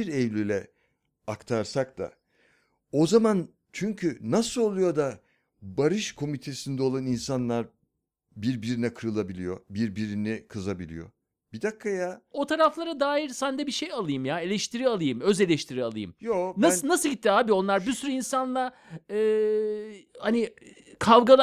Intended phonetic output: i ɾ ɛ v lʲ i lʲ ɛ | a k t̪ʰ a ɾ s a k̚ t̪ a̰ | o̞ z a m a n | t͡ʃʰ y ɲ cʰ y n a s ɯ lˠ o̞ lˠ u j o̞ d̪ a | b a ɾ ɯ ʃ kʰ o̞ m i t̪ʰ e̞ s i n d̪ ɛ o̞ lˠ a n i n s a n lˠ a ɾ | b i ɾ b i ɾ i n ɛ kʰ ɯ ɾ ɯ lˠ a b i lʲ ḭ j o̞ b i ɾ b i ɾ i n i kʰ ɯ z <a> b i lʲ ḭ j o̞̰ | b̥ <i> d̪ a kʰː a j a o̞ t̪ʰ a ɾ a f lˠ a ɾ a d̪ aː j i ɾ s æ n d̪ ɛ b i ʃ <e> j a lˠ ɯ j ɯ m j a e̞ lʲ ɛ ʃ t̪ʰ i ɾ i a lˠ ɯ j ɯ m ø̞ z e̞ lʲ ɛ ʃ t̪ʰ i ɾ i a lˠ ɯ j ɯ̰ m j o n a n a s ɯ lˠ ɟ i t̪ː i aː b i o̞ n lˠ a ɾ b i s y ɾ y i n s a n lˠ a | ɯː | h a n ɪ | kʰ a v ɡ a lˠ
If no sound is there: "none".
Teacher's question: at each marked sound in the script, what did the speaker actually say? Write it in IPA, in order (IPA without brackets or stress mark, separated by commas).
a, i, e